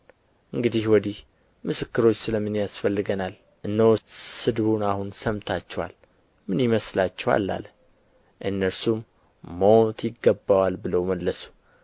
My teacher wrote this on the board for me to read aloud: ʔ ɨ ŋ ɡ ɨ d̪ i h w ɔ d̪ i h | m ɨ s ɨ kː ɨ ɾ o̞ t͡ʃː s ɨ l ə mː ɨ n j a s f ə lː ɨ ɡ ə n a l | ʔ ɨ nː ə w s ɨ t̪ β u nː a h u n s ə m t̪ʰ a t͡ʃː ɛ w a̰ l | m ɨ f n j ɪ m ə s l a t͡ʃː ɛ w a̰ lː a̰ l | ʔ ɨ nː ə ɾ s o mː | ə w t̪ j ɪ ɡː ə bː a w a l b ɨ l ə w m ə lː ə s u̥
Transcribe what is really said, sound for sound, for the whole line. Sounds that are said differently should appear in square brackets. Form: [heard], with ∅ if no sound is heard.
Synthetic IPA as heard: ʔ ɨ ŋ ɡ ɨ d̪ i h w ɔ d̪ i h | m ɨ s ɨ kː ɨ ɾ o̞ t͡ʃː s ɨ l ə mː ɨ n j a s f ə lː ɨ ɡ ə n a l | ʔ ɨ nː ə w s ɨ [d̪] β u [n] a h u n s ə m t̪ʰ a t͡ʃː ɛ w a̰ l | m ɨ [∅] n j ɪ m ə s l a t͡ʃː ɛ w a̰ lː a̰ l | ʔ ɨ nː ə ɾ s [u] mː | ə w t̪ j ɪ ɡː ə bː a w a l b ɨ l ə w m ə lː ə s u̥